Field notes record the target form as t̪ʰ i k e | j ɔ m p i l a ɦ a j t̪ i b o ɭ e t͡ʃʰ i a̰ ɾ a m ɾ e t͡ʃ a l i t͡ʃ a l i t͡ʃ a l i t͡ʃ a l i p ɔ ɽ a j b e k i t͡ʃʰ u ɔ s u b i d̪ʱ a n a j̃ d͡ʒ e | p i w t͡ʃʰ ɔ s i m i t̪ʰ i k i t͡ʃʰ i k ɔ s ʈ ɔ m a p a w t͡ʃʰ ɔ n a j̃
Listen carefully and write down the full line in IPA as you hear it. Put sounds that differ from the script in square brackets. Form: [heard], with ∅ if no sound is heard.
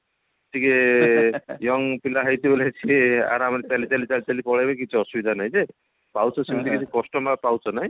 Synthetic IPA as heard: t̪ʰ i k e | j ɔ [ŋ] p i l a ɦ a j t̪ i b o [l] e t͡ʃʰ i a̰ ɾ a m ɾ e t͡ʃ a l i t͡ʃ a l i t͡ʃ a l i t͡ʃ a l i p ɔ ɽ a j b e k i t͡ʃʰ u ɔ s u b i d̪ʱ a n a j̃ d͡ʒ e | p [a] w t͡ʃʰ ɔ s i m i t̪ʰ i k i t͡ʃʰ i k ɔ s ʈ ɔ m a p a w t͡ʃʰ ɔ n a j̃

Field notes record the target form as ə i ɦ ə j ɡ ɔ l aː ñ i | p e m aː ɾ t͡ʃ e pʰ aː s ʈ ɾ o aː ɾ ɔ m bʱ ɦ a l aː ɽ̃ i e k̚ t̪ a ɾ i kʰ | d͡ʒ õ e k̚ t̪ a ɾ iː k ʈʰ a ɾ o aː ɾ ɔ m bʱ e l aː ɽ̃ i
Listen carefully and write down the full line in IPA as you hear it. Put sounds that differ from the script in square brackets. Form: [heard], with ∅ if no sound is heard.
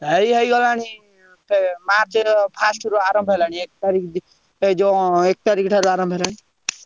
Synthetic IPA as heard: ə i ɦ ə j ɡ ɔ l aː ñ i | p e m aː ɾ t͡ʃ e pʰ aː s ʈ ɾ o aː ɾ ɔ m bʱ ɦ [e] l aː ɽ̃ i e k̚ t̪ a ɾ i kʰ | d͡ʒ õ e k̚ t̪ a ɾ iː k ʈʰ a ɾ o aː ɾ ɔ m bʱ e l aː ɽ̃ i

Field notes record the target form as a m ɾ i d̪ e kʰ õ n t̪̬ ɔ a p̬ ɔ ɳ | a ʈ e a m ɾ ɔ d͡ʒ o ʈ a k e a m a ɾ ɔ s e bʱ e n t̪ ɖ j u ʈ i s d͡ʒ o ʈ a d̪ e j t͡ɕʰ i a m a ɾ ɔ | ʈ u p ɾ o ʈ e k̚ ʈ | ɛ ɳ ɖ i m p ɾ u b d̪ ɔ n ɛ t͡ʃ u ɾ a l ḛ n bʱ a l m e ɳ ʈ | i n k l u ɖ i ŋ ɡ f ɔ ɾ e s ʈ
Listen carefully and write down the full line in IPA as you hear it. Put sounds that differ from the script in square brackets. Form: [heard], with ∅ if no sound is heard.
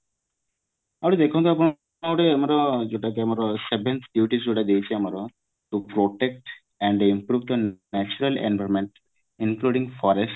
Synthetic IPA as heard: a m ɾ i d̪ e kʰ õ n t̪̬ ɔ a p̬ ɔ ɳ | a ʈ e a m ɾ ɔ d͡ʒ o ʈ a k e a m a ɾ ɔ s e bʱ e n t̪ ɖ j u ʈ i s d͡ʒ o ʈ a d̪ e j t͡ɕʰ i a m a ɾ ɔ | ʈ u p ɾ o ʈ e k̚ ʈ | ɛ ɳ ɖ i m p ɾ u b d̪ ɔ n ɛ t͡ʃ u ɾ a l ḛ n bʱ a [ɾ] m e ɳ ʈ | i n k l u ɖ i ŋ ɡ f ɔ ɾ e s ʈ

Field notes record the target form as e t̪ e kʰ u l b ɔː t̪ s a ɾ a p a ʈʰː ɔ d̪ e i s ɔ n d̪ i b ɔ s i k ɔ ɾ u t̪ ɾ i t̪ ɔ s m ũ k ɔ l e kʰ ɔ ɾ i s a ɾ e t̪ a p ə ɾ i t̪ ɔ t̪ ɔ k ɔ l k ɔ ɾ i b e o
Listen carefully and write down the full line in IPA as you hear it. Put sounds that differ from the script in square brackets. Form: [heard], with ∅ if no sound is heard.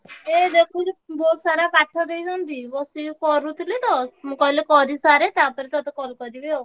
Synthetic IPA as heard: e [d̪] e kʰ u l b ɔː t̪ s a ɾ a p a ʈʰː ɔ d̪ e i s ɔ n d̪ i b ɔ s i k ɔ ɾ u t̪ [l] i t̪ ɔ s m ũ k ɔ l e [k] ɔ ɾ i s a ɾ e t̪ a p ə ɾ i t̪ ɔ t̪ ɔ k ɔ l k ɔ ɾ i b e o

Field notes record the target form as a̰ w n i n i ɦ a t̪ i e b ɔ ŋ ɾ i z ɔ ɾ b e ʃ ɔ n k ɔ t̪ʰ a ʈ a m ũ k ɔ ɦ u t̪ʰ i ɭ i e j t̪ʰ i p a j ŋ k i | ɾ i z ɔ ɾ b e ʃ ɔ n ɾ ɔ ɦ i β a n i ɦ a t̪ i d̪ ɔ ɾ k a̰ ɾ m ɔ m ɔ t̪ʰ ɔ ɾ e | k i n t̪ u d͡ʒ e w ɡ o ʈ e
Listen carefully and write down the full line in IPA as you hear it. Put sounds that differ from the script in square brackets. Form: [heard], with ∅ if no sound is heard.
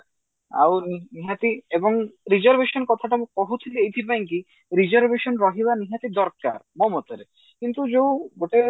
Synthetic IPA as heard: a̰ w n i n i ɦ a t̪ i e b ɔ ŋ ɾ i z ɔ ɾ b e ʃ ɔ n k ɔ t̪ʰ a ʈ a m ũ k ɔ ɦ u t̪ʰ i [l] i e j t̪ʰ i p a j ŋ k i | ɾ i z ɔ ɾ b e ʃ ɔ n ɾ ɔ ɦ i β a n i ɦ a t̪ i d̪ ɔ ɾ k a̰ ɾ m ɔ m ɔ [t̪] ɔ ɾ e | k i n t̪ u d͡ʒ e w ɡ o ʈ e

